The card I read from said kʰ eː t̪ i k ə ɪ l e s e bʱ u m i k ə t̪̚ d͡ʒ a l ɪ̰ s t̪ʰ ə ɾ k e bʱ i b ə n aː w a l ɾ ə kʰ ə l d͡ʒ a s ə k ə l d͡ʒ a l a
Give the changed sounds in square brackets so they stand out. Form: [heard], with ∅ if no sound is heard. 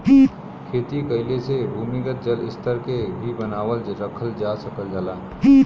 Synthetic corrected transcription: kʰ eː t̪ i k ə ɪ l e s e bʱ u m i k ə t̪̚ d͡ʒ [ə] l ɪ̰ s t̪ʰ ə ɾ k e bʱ i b ə n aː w [ə] l ɾ ə kʰ ə l d͡ʒ a s ə k ə l d͡ʒ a l a